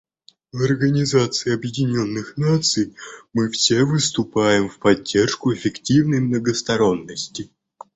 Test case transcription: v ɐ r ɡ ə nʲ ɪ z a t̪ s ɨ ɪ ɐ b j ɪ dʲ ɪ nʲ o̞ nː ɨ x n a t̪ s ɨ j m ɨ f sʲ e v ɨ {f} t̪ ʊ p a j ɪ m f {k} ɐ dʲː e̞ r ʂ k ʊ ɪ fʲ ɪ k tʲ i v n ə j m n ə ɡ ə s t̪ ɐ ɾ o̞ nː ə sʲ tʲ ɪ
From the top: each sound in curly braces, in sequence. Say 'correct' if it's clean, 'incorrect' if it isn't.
incorrect: s, incorrect: p

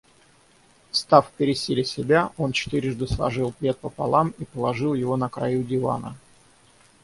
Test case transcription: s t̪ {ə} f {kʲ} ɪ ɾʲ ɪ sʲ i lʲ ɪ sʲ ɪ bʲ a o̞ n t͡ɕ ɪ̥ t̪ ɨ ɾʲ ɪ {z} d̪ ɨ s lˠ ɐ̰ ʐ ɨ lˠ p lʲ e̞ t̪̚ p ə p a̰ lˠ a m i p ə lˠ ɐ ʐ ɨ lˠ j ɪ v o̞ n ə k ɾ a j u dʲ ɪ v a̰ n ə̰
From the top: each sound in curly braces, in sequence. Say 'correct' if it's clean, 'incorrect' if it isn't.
incorrect: a, incorrect: pʲ, incorrect: ʐ

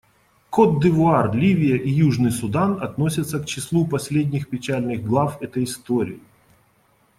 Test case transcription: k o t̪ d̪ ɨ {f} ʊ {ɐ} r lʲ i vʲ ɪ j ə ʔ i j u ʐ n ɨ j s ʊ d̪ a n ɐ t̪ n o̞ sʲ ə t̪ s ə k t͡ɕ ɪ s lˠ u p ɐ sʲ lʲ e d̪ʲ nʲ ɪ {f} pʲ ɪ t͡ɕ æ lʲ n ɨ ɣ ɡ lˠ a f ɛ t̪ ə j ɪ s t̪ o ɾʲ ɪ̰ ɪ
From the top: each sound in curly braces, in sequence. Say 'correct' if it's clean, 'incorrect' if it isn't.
incorrect: v, incorrect: a, incorrect: x

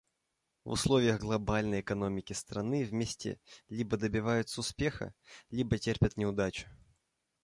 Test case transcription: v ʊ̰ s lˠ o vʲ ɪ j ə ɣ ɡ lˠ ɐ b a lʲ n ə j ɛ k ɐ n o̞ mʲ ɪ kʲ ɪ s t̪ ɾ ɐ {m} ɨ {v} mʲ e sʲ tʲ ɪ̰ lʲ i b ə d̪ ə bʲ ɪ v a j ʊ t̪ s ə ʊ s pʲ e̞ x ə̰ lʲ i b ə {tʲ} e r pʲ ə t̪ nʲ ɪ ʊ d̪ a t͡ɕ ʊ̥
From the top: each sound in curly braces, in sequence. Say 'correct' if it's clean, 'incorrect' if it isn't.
incorrect: n, correct, correct

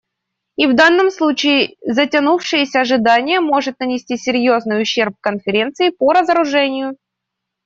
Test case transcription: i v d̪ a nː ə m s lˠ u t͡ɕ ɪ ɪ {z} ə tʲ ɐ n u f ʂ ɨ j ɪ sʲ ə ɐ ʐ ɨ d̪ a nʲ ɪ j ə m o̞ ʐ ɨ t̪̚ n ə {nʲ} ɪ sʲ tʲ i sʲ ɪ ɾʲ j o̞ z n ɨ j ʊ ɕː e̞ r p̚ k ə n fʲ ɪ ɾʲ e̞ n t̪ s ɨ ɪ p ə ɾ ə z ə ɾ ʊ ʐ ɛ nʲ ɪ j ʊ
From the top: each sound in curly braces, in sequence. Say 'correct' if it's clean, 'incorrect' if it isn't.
correct, correct

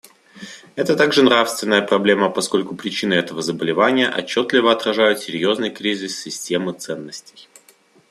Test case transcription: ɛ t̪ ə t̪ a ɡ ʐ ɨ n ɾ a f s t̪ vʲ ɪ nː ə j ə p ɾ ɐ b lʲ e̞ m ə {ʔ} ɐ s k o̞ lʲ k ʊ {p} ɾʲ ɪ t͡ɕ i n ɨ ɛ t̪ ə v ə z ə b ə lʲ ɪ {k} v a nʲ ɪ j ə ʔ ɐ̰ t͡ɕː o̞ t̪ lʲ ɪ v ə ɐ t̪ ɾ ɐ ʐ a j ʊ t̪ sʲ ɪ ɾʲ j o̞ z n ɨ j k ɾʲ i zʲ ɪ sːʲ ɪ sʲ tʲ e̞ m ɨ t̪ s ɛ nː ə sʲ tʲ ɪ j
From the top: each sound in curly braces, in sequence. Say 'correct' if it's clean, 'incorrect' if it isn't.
incorrect: p, correct, incorrect: none

